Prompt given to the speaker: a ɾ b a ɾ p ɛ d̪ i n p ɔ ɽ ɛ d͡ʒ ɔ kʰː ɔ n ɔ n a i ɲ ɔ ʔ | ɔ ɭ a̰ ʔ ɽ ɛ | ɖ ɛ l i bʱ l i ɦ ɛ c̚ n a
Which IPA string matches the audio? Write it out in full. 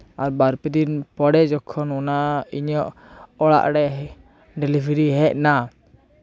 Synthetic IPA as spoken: a ɾ b a ɾ p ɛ d̪ i n p ɔ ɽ ɛ d͡ʒ ɔ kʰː ɔ n ɔ n a i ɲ ɔ ʔ | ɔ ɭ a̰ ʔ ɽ ɛ | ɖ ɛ l i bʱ ɾ i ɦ ɛ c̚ n a